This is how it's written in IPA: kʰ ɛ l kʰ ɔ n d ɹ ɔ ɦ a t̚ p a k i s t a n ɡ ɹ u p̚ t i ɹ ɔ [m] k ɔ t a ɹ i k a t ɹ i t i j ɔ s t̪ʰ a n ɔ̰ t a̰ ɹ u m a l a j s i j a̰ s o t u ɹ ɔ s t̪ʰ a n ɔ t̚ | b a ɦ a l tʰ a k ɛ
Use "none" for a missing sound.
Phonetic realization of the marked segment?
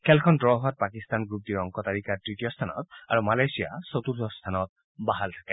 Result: ŋ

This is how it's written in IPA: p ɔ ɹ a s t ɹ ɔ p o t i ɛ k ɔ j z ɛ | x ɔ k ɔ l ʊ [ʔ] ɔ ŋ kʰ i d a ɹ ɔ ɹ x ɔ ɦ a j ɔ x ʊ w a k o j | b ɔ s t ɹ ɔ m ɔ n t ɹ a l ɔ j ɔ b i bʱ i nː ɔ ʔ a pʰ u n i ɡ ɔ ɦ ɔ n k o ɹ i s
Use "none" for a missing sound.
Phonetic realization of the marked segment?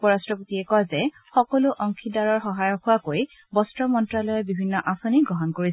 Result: ʔ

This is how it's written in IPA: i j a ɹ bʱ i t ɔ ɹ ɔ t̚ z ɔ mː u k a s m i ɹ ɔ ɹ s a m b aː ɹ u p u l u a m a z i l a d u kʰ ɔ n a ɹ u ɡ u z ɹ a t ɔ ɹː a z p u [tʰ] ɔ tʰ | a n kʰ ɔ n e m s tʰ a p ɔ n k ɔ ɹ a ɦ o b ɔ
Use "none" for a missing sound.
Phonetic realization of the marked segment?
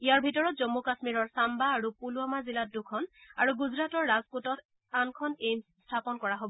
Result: t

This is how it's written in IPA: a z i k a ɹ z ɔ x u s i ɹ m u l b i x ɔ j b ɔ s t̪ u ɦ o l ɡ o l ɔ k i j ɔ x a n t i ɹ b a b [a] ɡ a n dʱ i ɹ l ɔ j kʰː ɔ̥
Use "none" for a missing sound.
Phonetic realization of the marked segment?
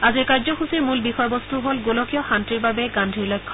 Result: ɛ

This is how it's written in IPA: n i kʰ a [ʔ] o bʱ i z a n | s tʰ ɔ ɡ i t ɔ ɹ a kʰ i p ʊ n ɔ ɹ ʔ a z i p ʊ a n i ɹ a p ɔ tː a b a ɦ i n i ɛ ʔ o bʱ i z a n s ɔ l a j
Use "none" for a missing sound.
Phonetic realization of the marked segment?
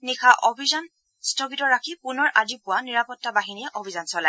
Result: ʔ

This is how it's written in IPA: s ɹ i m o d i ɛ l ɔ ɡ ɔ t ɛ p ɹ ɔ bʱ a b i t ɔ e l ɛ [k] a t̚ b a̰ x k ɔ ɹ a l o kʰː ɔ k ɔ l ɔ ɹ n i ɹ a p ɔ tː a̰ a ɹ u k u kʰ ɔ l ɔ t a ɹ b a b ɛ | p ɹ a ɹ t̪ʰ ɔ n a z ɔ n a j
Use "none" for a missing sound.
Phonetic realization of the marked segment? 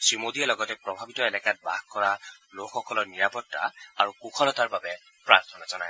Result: k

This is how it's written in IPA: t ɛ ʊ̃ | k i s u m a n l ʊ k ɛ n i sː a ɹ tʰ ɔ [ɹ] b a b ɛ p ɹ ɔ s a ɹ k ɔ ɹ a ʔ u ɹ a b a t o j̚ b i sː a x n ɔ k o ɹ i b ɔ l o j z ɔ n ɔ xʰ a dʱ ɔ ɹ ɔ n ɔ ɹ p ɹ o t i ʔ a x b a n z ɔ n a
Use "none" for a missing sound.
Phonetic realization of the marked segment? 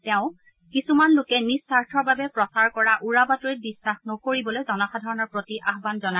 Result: ɹ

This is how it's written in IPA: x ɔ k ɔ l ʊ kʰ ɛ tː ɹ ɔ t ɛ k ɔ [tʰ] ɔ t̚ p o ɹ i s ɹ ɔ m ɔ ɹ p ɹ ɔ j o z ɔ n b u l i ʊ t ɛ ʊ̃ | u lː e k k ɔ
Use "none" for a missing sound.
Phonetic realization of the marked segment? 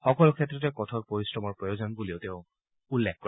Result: tʰ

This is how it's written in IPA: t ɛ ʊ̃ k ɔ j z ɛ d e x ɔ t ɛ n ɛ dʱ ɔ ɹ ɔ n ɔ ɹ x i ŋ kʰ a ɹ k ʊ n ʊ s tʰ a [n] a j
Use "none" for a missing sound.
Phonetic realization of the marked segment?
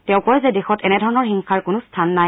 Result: nː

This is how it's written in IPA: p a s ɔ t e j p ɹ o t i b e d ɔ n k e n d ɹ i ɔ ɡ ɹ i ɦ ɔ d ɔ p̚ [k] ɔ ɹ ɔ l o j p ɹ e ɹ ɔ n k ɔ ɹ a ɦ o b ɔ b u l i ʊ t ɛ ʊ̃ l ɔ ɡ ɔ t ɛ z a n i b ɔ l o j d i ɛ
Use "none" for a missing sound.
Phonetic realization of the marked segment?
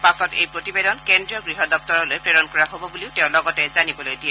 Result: t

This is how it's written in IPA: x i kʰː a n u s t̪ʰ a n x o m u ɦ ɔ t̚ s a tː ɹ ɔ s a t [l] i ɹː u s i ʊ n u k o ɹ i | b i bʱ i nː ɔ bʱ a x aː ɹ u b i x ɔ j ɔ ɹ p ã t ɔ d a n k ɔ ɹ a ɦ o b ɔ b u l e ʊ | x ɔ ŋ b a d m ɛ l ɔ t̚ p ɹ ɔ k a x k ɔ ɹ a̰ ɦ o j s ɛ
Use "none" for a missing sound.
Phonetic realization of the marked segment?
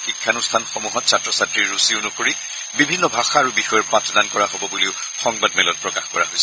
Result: ɹ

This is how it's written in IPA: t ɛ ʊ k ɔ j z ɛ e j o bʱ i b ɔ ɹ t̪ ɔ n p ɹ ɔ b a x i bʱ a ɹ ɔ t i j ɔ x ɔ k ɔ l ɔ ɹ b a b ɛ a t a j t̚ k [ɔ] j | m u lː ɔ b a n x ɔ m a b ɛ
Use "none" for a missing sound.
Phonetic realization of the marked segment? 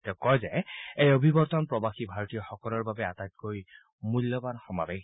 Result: o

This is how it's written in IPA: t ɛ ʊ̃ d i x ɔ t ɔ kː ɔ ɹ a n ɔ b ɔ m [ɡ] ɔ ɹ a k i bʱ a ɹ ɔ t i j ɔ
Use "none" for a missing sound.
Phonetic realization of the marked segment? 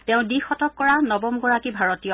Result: ɡ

